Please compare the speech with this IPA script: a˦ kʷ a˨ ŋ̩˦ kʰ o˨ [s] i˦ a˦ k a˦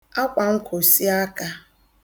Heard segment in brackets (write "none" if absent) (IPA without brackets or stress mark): s